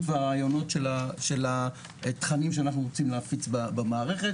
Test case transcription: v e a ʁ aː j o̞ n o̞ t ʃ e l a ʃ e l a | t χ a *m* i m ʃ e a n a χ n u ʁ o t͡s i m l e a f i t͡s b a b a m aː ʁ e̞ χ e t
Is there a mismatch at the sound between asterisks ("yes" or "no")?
yes